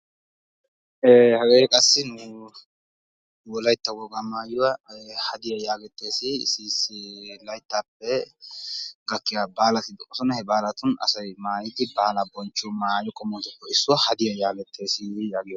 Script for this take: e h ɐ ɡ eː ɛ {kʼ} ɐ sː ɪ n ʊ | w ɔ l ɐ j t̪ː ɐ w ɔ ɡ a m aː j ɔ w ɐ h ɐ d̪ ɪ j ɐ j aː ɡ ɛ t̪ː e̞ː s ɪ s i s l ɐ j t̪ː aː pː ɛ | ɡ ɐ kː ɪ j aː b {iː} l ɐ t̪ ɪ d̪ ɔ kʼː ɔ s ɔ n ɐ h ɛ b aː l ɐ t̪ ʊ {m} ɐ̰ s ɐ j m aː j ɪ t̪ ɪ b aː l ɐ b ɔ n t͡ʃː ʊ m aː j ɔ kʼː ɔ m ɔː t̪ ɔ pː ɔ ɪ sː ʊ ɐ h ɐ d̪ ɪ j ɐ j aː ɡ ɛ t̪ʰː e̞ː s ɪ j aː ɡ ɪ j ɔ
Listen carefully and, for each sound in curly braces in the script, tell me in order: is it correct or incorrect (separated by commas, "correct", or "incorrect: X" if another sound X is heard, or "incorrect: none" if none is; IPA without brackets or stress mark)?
correct, incorrect: aː, incorrect: n